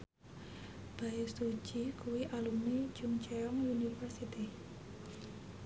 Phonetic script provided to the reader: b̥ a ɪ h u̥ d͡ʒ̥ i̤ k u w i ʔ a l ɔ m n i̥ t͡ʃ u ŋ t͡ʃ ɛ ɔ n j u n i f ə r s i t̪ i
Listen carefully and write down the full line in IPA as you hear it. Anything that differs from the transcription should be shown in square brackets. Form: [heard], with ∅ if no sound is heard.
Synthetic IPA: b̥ a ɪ [s] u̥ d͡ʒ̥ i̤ k u w i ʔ a l [u] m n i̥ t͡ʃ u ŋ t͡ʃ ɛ ɔ [ŋ] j u n i f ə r s i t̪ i